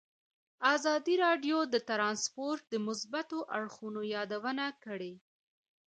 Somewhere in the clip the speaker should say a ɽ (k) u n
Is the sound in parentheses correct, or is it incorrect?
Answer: incorrect: x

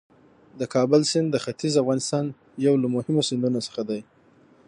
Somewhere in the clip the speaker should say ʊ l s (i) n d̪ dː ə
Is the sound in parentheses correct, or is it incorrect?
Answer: incorrect: ɪ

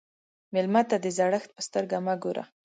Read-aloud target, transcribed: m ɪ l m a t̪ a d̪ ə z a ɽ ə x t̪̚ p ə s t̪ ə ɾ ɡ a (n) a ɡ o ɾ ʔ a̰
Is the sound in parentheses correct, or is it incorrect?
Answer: incorrect: m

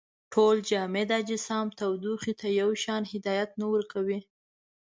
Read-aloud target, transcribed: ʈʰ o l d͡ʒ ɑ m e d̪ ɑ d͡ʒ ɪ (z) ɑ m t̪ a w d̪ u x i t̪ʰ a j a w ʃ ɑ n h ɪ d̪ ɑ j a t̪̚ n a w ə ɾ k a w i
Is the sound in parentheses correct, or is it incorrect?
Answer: incorrect: s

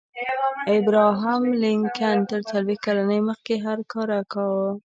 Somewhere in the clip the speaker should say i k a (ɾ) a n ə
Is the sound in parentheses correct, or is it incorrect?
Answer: incorrect: l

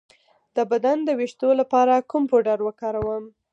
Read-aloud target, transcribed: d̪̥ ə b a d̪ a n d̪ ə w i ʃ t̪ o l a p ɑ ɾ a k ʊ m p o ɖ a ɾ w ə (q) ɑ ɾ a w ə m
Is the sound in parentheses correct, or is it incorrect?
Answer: incorrect: k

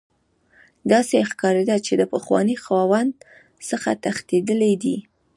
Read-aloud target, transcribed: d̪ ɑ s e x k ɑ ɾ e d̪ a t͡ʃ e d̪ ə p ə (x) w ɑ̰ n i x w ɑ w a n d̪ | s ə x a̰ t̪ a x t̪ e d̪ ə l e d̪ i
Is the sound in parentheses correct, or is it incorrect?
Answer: correct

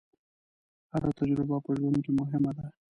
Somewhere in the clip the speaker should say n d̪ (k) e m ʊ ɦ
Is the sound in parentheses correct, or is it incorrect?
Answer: correct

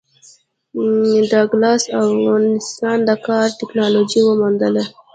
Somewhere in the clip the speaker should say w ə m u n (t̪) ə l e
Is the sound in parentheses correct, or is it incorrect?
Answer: incorrect: d̪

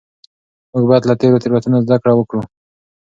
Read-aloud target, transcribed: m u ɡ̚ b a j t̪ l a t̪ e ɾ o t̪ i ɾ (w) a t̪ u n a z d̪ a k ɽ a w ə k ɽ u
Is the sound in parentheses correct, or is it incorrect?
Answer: correct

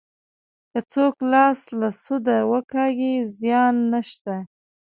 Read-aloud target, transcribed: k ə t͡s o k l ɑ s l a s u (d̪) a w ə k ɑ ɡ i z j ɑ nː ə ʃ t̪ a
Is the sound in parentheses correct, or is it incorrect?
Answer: correct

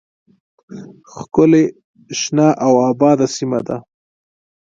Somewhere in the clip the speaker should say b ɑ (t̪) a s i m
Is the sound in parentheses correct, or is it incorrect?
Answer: incorrect: d̪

